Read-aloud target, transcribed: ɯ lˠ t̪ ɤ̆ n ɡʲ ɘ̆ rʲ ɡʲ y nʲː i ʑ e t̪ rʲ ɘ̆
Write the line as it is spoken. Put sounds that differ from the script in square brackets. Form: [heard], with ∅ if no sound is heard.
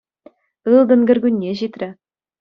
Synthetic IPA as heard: ɯ lˠ [d̪] ɤ̆ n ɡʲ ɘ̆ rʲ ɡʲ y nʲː [e] ʑ [i] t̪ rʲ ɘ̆